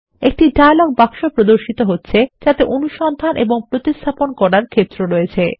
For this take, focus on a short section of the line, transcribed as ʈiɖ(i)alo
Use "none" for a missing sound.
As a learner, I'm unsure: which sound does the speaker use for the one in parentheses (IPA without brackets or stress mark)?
a